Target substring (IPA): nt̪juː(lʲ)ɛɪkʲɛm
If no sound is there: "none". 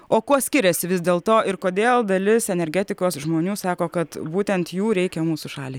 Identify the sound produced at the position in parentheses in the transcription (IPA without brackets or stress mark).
ɾʲ